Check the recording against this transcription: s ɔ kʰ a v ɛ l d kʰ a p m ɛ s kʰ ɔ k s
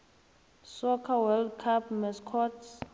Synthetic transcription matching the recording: s ɔ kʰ a w ɛ l d kʰ a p m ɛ s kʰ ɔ t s